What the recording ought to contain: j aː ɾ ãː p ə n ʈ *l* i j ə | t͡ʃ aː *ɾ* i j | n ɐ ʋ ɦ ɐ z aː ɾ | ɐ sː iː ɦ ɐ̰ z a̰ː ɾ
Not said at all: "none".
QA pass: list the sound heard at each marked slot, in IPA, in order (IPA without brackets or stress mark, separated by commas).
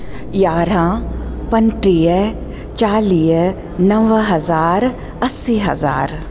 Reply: ɾ, l